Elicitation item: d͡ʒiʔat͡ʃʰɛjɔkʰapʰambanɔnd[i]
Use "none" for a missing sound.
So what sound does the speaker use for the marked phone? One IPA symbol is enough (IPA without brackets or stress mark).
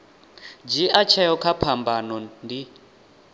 i